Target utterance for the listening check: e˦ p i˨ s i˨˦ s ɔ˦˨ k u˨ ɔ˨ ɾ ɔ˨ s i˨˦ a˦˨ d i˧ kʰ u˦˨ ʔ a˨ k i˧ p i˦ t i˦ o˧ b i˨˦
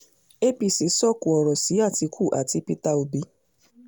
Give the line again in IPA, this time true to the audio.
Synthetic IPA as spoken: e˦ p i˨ s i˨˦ s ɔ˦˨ k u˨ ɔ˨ ɾ ɔ˨ s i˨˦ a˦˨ t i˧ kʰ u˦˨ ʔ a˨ t i˧ p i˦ t a˦ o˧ b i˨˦

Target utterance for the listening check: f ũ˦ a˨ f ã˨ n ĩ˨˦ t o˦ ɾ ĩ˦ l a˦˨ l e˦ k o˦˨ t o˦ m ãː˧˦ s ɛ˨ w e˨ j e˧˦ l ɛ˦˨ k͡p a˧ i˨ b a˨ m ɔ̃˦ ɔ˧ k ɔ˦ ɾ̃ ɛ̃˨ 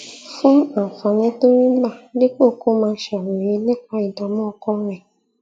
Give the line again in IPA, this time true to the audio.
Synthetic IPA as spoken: f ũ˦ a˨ f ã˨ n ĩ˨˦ t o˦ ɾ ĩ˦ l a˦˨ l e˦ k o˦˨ k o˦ m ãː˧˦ ʃ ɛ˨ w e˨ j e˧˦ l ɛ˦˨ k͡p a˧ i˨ d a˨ m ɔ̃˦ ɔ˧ k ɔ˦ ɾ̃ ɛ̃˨

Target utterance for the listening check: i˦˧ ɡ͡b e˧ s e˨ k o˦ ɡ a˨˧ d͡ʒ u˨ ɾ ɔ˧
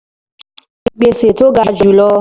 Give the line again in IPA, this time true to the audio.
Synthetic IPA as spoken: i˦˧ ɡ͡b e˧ s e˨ t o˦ ɡ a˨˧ d͡ʒ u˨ l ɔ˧

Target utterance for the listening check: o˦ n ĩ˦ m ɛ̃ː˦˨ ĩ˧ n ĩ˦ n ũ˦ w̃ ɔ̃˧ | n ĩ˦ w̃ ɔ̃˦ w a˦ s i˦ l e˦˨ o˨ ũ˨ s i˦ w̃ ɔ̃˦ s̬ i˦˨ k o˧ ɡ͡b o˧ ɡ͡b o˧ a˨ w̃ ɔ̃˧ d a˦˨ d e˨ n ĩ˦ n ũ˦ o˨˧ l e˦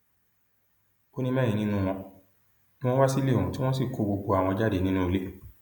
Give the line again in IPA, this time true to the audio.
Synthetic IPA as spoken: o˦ n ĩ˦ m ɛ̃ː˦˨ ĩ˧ n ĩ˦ n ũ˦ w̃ ɔ̃˧ | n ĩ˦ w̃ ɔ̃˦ w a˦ s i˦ l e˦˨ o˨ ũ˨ t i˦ w̃ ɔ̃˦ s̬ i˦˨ k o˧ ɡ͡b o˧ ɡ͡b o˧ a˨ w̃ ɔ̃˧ d͡ʒ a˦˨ d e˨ n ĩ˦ n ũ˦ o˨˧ l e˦

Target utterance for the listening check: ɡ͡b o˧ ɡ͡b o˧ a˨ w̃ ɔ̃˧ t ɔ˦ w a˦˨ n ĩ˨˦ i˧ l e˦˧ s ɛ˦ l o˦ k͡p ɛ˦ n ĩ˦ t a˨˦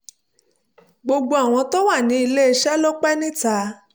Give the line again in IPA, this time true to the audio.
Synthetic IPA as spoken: ɡ͡b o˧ ɡ͡b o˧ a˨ w̃ ɔ̃˧ t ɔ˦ w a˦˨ n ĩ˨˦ i˧ l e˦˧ ʃ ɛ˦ l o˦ k͡p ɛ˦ n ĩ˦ t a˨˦

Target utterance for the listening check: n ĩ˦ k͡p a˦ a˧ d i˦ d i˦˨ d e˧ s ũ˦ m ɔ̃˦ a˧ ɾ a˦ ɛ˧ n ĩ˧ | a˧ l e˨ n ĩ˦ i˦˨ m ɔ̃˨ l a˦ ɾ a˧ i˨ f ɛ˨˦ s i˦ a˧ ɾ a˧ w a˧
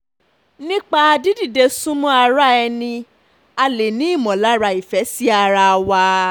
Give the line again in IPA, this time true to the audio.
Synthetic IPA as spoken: n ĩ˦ k͡p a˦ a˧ d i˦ d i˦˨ d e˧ s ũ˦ m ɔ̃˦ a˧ ɾ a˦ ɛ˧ n ĩ˧ | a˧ l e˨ n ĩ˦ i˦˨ m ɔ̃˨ l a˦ ɾ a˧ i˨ f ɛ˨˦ s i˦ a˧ ɾ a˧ w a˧

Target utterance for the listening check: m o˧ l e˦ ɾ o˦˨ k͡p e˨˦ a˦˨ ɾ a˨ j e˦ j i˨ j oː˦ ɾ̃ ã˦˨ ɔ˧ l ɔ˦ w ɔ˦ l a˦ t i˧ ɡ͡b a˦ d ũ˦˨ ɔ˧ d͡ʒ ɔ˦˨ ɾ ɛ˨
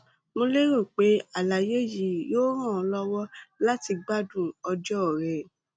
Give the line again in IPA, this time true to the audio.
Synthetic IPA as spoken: m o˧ l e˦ ɾ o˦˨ k͡p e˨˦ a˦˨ l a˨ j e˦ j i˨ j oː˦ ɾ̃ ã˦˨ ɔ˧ l ɔ˦ w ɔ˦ l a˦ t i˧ ɡ͡b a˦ d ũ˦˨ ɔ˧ d͡ʒ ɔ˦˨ ɾ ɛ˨

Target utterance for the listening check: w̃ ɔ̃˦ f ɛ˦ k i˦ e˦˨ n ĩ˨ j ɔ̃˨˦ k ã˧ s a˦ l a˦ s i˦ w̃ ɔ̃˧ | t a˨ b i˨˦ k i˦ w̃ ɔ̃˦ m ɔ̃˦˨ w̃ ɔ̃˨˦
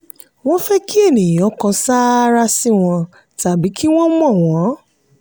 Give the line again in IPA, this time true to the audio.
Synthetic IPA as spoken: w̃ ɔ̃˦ f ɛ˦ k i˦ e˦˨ n ĩ˨ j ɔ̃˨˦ k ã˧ s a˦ ɾ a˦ s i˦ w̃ ɔ̃˧ | t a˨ b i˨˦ k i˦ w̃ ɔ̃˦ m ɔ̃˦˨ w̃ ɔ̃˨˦

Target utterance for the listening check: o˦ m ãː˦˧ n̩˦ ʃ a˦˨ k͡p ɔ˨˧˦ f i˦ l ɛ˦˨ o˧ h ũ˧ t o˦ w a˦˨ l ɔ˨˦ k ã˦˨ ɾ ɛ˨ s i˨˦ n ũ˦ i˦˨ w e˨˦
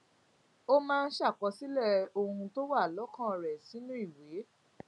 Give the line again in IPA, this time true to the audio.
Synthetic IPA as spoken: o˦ m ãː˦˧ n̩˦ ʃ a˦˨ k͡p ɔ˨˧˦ s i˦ l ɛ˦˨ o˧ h ũ˧ t o˦ w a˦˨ l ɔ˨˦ k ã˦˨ ɾ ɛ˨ s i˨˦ n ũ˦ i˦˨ w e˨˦

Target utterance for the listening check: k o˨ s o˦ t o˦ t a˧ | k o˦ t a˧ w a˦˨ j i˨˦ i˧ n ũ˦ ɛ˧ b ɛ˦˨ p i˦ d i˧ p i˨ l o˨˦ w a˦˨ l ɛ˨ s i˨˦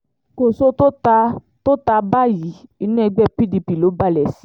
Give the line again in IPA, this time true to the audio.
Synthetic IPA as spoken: k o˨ s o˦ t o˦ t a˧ | t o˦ t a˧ b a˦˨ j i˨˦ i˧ n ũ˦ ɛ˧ ɡ͡b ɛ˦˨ p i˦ d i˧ p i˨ l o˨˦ b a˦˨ l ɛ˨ s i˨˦

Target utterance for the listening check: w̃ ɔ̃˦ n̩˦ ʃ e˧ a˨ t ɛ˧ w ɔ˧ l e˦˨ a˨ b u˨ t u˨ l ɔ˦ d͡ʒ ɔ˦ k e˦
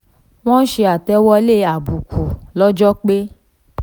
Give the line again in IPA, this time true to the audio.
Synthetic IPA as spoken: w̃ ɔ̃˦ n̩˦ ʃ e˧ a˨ t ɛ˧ w ɔ˧ l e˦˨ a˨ b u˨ k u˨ l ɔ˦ d͡ʒ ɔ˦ k͡p e˦

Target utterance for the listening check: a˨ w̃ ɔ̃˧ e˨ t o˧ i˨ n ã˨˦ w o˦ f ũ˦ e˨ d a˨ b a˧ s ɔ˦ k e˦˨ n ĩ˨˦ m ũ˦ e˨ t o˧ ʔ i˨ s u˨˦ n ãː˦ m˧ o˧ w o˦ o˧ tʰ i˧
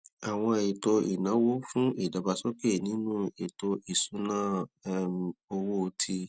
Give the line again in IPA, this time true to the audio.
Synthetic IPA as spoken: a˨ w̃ ɔ̃˧ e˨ t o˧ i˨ n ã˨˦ w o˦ f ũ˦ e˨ d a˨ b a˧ s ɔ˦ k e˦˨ n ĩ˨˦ n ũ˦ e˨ t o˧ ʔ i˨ s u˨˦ n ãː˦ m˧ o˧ w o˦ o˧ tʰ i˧

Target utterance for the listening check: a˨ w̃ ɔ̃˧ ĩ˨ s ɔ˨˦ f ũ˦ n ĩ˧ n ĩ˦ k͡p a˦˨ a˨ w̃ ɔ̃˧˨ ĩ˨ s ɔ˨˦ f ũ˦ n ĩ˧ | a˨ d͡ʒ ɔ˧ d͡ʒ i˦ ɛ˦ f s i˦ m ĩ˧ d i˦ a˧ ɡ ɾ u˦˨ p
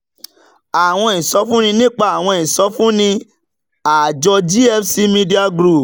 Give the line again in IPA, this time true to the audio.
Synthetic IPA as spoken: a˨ w̃ ɔ̃˧ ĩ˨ s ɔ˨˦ f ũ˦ n ĩ˧ n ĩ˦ k͡p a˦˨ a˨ w̃ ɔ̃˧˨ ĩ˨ s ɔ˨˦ f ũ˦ n ĩ˧ | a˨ d͡ʒ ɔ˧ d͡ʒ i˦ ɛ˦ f s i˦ m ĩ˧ d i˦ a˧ ɡ ɾ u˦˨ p

